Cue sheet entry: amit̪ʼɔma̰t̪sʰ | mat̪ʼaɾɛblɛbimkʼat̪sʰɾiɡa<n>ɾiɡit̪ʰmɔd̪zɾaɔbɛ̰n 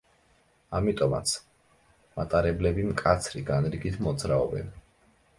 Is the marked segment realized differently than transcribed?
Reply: no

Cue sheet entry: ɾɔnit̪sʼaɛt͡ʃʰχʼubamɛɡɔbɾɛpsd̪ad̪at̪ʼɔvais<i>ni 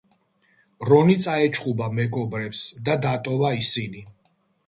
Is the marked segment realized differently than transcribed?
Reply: no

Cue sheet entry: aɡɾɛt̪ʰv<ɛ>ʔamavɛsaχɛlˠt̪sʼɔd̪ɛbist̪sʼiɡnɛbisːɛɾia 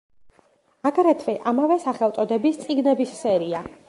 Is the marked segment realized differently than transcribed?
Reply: no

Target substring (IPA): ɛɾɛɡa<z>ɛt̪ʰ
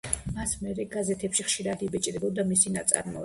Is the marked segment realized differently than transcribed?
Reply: no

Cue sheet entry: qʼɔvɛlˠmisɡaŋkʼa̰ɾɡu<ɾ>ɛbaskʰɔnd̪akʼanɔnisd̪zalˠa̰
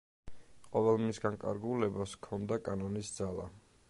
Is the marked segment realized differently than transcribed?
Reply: yes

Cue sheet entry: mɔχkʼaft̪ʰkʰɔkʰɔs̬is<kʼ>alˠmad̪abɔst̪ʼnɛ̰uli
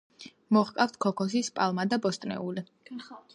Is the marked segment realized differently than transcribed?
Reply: yes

